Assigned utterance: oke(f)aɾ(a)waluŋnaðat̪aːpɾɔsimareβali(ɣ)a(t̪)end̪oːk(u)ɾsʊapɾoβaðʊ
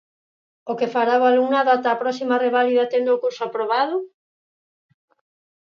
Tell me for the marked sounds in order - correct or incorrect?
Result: correct, correct, incorrect: ð, correct, correct

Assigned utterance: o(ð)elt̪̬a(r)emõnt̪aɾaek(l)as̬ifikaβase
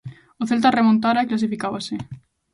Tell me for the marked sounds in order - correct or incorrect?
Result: incorrect: θ, correct, correct

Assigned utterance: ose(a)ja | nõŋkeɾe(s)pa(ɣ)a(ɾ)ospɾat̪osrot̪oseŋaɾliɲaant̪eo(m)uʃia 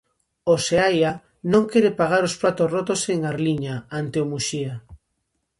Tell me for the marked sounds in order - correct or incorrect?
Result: correct, incorrect: none, correct, correct, correct

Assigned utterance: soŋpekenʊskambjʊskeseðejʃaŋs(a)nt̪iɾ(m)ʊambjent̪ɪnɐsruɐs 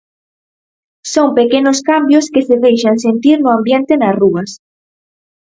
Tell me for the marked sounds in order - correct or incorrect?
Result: incorrect: e, incorrect: n

